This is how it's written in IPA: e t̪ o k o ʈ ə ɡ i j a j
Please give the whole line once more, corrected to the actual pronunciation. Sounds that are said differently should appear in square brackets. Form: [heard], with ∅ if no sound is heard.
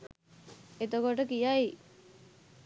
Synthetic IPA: e t̪ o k o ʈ ə [k] i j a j